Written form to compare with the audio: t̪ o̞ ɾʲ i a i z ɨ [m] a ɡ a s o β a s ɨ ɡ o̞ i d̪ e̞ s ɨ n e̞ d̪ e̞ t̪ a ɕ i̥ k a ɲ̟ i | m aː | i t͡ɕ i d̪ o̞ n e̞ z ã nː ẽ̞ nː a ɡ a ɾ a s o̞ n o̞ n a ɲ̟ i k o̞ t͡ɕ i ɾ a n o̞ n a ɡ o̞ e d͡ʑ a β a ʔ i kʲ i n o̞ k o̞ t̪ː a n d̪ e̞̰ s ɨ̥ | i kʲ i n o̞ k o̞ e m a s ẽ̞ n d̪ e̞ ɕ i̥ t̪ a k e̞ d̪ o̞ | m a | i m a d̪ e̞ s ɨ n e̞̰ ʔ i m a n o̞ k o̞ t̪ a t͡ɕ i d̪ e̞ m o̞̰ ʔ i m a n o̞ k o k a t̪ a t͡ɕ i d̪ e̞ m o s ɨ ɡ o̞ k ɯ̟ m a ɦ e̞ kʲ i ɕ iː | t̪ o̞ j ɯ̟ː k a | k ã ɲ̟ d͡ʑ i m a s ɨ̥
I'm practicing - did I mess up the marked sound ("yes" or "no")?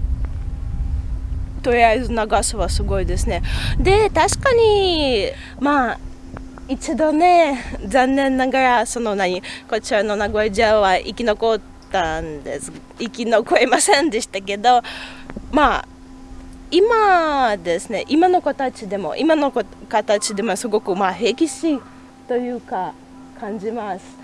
yes